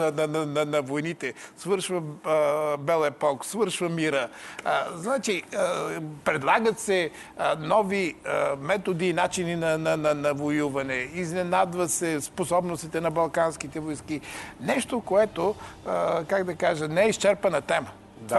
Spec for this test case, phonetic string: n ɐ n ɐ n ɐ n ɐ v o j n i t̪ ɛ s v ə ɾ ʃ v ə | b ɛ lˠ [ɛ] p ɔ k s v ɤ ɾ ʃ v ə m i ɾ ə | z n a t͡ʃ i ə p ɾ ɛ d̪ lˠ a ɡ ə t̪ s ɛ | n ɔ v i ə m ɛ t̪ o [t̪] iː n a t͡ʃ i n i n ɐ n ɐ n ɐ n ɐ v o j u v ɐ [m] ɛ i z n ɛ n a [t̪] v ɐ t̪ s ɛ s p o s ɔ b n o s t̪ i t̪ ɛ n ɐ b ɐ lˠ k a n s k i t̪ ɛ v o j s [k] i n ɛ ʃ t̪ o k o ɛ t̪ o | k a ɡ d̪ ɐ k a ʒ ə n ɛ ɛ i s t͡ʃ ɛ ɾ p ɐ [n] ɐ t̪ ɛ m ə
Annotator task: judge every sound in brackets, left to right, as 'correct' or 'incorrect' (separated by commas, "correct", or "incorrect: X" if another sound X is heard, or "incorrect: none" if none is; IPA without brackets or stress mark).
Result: correct, incorrect: d̪, incorrect: n, incorrect: d̪, correct, correct